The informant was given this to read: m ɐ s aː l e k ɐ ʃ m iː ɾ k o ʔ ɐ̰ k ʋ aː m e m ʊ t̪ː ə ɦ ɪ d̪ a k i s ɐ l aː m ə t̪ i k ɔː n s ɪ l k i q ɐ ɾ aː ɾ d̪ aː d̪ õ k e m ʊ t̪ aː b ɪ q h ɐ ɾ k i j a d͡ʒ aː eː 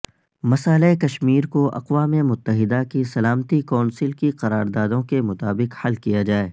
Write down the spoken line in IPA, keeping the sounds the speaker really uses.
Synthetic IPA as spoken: m ɐ s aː l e k ɐ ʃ m iː ɾ k o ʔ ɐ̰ q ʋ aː m e m ʊ t̪ː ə ɦ ɪ d̪ a k i s ɐ l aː m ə t̪ i k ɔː n s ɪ l k i q ɐ ɾ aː ɾ d̪ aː d̪ õ k e m ʊ t̪ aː b ɪ q h ɐ l k i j a d͡ʒ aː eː

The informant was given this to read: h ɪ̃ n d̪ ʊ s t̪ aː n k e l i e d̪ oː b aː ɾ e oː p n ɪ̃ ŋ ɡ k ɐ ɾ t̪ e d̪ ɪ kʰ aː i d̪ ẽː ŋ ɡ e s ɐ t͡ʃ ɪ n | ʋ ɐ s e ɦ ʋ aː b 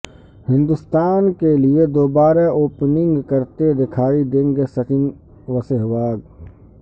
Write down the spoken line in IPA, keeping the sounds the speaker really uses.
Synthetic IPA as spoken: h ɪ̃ n d̪ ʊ s t̪ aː n k e l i e d̪ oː b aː ɾ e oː p n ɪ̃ ŋ ɡ k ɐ ɾ t̪ e d̪ ɪ kʰ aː i d̪ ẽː ŋ ɡ e s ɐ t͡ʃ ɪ n | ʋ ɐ s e ɦ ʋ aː ɡ

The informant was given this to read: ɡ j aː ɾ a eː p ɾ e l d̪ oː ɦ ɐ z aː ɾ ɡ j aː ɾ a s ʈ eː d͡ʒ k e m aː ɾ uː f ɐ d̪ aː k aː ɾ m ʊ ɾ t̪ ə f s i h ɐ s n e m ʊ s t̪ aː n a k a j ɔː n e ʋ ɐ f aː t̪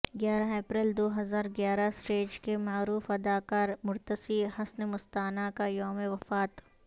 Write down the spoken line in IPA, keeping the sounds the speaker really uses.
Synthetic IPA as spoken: ɡ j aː ɾ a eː p ɾ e l d̪ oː ɦ ɐ z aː ɾ ɡ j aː ɾ a s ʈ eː d͡ʒ k e m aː ɾ uː f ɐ d̪ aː k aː ɾ m ʊ ɾ t̪ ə s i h ɐ s n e m ʊ s t̪ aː n a k a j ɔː m e ʋ ɐ f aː t̪

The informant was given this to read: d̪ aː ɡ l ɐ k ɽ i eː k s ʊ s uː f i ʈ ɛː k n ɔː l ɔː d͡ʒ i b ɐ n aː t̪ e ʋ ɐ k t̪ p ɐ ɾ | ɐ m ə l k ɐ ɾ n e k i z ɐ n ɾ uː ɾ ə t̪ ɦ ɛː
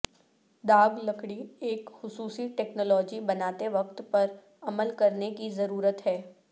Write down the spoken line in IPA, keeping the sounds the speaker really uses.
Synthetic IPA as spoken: d̪ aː ɡ l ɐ k ɽ i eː k x ʊ s uː s i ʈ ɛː k n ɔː l ɔː d͡ʒ i b ɐ n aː t̪ e ʋ ɐ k t̪ p ɐ ɾ | ɐ m ə l k ɐ ɾ n e k i z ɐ ɾ uː ɾ ə t̪ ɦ ɛː

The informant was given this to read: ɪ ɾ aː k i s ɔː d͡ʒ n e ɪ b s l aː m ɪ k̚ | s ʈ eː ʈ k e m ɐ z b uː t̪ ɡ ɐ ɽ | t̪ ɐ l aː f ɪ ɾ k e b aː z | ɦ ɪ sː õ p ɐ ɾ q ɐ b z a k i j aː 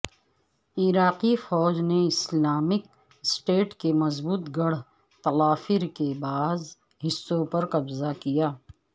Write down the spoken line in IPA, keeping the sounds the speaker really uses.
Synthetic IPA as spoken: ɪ ɾ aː q i f ɔː d͡ʒ n e ɪ s l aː m ɪ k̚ | s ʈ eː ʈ k e m ɐ z b uː t̪ ɡ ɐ ɽ | t̪ ɐ l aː f ɪ ɾ k e b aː z | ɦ ɪ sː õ p ɐ ɾ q ɐ b z a k i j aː

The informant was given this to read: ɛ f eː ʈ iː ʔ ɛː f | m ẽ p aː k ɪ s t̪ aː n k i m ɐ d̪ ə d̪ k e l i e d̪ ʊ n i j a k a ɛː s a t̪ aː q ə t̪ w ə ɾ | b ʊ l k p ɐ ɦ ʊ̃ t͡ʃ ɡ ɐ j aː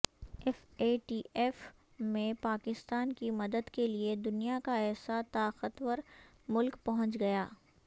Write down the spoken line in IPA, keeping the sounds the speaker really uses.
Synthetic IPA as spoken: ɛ f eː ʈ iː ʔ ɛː f | m ẽ p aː k ɪ s t̪ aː n k i m ɐ d̪ ə d̪ k e l i e d̪ ʊ n i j a k a ɛː s a t̪ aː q ə t̪ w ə ɾ | m ʊ l k p ɐ ɦ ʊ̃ t͡ʃ ɡ ɐ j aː

